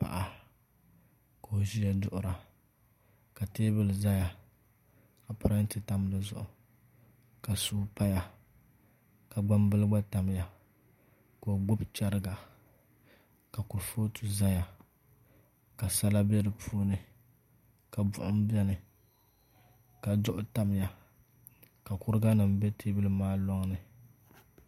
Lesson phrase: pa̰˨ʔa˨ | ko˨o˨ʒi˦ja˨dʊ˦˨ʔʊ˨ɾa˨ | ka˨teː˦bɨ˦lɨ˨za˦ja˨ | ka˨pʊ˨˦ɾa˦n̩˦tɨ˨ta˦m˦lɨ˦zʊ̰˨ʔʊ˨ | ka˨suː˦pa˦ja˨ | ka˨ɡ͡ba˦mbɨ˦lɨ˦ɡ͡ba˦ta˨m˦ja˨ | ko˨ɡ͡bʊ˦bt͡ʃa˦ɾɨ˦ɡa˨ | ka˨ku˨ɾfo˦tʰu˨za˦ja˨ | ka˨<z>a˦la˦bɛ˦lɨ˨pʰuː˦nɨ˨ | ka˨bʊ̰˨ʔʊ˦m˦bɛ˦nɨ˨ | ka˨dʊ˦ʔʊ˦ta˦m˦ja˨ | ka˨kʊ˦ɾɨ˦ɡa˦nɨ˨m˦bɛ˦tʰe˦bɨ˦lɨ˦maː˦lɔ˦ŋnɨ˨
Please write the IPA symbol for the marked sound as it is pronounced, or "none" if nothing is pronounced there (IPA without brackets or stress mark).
s